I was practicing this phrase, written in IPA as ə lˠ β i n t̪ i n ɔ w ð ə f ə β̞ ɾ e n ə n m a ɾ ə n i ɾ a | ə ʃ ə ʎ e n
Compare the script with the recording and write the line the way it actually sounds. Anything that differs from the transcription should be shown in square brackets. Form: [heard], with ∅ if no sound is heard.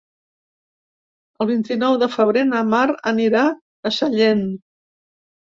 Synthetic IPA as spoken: ə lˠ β i n t̪ i n ɔ w ð ə f ə β̞ ɾ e n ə [∅] m a ɾ ə n i ɾ a | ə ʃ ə ʎ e n